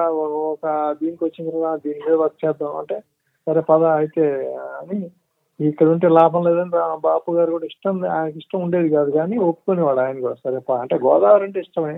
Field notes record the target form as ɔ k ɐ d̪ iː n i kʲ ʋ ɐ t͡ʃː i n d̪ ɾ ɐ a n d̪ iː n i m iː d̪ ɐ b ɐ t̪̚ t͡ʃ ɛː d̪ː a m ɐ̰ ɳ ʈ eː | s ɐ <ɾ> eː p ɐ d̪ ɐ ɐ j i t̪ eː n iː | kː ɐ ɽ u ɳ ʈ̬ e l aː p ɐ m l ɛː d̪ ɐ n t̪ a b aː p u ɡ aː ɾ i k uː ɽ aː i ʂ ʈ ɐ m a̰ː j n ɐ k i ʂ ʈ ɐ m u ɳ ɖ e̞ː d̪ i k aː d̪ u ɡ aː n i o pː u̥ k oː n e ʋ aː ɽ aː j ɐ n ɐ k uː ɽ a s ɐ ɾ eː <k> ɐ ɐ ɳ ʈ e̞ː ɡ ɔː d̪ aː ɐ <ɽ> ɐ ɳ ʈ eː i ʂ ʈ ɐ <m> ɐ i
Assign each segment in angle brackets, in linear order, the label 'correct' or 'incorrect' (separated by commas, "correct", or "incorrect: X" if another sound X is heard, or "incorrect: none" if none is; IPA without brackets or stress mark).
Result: correct, incorrect: p, incorrect: ɾ, correct